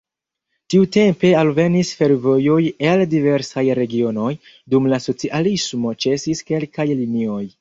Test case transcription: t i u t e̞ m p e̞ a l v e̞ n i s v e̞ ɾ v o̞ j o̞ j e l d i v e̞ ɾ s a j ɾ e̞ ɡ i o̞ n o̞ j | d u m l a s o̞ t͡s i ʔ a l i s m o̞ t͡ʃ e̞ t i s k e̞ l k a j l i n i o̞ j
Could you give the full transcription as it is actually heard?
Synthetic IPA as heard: t i u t e̞ m p e̞ a l v e̞ n i s f e̞ ɾ v o̞ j o̞ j e l d i v e̞ ɾ s a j ɾ e̞ ɡ i o̞ n o̞ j | d u m l a s o̞ t͡s i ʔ a l i s m o̞ t͡ʃ e̞ s i s k e̞ l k a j l i n i o̞ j